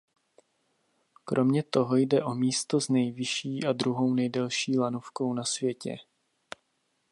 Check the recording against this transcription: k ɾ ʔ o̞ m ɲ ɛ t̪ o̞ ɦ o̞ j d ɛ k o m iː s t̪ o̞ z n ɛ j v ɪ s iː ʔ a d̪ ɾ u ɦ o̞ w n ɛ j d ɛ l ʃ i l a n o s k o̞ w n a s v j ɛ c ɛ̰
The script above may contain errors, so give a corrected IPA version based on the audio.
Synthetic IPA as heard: k ɾ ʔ o̞ m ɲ ɛ t̪ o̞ ɦ o̞ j d ɛ ʔ o m iː s t̪ o̞ z n ɛ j v ɪ ʃ iː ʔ a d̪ ɾ u ɦ o̞ w n ɛ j d ɛ l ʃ iː l a n o f k o̞ w n a s v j ɛ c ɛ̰